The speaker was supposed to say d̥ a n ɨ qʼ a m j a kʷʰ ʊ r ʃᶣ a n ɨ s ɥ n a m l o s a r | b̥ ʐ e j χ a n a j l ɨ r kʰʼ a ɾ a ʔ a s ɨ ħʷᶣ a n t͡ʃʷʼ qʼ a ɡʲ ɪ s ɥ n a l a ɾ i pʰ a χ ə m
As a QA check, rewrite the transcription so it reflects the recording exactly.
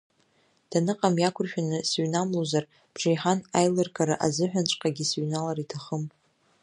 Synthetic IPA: d̥ a n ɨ qʼ a m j a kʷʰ ʊ r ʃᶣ a n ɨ s ɥ n a m l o z a r | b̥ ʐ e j ħ a n a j l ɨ r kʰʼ a ɾ a ʔ a z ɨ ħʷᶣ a n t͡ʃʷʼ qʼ a ɡʲ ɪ s ɥ n a l a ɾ i tʰ a χ ə m